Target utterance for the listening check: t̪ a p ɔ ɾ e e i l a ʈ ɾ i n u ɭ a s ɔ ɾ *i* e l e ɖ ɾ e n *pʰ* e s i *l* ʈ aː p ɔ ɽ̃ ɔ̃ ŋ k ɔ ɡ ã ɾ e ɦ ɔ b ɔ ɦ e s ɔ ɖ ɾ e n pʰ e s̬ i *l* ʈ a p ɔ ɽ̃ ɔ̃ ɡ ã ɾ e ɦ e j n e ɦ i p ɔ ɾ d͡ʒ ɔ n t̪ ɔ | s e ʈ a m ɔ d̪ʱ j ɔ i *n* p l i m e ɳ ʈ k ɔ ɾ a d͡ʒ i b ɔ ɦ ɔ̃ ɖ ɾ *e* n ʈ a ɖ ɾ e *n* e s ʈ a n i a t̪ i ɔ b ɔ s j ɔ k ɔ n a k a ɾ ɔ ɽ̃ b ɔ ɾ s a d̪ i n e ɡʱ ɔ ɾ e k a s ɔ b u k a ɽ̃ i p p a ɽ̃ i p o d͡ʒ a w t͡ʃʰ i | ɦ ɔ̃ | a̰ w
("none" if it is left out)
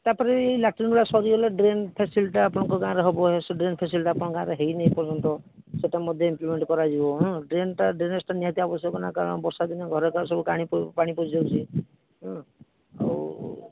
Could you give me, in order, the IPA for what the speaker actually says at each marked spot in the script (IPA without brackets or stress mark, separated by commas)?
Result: i, pʰ, l, l, m, e, n